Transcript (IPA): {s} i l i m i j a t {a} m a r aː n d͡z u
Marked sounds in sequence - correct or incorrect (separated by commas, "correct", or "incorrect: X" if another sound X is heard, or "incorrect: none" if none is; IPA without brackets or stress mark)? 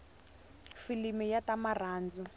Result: incorrect: f, correct